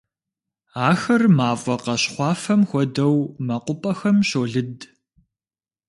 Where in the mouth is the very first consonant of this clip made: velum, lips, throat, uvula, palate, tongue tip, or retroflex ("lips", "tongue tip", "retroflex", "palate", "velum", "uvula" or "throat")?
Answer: velum